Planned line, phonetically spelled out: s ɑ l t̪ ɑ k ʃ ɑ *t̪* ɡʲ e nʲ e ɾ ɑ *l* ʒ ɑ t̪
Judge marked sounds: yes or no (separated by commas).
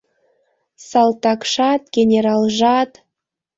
yes, yes